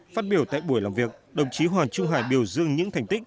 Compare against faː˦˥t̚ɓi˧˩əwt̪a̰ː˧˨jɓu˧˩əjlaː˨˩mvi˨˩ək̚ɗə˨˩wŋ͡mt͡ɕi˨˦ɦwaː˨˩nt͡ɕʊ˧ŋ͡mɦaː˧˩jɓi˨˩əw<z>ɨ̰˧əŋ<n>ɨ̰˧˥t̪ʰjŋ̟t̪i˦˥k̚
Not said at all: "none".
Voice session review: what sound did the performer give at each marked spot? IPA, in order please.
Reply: z, ɲ

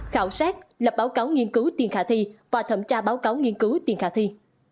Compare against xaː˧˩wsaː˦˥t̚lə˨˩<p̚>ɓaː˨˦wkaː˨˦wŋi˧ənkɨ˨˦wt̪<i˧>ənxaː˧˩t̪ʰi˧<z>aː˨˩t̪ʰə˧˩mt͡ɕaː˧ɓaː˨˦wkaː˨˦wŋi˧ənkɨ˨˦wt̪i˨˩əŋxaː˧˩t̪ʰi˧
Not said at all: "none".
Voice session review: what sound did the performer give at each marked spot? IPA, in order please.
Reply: p̚, i˨˩, v

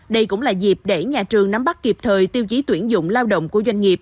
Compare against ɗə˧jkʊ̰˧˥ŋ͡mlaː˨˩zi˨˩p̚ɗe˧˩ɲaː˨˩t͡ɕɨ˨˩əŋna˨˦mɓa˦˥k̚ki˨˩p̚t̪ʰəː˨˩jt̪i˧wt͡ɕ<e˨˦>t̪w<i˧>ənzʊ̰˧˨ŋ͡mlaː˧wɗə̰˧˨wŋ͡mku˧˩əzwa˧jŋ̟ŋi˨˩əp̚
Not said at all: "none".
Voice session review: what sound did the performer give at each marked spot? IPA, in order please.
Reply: i˨˦, i˧˩

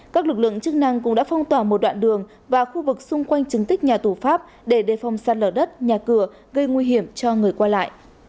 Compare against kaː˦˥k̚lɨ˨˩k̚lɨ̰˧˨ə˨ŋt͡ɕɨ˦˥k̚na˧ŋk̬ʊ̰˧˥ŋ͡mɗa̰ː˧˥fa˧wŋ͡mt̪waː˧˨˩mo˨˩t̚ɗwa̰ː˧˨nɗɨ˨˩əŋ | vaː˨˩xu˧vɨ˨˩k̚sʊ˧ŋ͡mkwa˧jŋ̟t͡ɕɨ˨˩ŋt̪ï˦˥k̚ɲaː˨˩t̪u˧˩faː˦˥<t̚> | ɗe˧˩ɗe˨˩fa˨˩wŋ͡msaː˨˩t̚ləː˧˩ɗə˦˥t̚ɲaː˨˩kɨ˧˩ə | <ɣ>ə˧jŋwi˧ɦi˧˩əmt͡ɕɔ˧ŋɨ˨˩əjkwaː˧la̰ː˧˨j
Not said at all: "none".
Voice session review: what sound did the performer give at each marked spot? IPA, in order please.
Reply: p̚, ɣ

